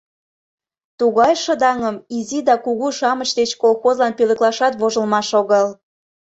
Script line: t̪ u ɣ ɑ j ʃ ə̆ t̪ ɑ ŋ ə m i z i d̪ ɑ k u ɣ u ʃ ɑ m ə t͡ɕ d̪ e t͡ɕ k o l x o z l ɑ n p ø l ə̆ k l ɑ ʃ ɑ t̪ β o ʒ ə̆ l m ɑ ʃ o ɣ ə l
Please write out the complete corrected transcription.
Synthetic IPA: t̪ u ɣ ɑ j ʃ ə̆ d̪ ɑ ŋ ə m i z i d̪ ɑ k u ɣ u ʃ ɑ m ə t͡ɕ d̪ e t͡ɕ k o l x o z l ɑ n p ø l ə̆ k l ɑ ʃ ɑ t̪ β o ʒ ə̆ l m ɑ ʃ o ɣ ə l